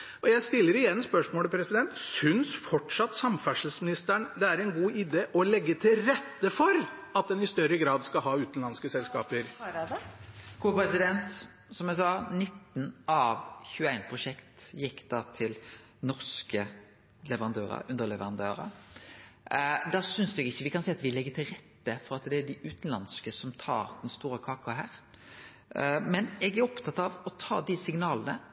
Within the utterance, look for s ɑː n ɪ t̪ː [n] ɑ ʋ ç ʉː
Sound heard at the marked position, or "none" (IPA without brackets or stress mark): n